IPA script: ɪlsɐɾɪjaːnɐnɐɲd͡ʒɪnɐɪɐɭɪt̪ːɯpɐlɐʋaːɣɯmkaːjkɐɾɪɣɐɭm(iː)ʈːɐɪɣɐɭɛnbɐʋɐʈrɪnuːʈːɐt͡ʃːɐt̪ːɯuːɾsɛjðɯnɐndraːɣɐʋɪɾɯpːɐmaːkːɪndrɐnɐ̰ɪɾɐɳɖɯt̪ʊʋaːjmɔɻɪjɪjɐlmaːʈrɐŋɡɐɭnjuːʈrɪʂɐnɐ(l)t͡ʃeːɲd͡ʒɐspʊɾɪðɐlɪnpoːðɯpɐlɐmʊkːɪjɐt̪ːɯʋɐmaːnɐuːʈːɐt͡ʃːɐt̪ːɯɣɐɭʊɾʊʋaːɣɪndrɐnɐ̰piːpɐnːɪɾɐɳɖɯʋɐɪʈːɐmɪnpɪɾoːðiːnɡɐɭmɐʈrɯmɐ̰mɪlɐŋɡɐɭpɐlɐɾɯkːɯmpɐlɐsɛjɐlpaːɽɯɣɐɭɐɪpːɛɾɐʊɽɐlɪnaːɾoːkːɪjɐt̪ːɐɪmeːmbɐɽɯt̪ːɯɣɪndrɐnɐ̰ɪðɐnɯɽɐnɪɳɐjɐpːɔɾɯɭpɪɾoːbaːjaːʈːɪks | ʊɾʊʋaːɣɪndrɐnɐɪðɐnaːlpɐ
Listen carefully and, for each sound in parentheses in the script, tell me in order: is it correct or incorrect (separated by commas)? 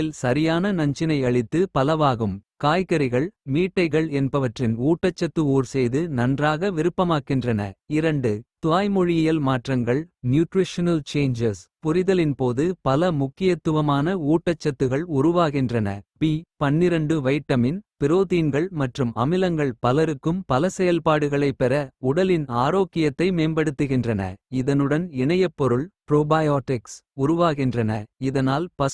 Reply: correct, correct